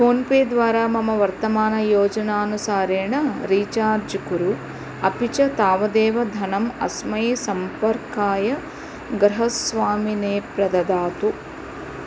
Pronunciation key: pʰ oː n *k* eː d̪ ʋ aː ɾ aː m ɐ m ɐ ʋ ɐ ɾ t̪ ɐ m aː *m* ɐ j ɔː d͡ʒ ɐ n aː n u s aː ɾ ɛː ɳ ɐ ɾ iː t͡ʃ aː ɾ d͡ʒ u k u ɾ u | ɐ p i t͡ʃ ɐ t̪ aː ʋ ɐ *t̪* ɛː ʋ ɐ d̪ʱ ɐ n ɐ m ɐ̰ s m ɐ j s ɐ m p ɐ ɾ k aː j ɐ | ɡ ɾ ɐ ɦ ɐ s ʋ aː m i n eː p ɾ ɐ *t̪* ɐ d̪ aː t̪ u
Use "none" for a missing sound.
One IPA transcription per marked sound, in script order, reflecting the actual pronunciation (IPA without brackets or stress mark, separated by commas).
p, n, d̪, d̪